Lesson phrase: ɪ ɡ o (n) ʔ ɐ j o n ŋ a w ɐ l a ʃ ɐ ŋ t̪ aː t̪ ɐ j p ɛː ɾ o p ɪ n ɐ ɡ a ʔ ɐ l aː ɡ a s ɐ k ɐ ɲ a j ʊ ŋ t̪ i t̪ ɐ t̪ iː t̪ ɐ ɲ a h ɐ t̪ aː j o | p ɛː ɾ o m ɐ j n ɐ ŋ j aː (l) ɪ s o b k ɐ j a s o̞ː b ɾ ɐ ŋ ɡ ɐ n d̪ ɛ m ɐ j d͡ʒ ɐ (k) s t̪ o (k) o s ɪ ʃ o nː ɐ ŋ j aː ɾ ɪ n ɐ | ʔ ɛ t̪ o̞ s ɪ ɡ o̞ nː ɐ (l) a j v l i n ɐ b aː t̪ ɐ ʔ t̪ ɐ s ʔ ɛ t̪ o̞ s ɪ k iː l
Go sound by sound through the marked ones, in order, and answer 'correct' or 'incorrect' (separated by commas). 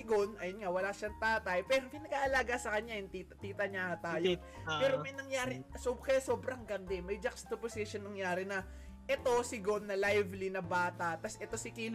correct, incorrect, correct, incorrect, correct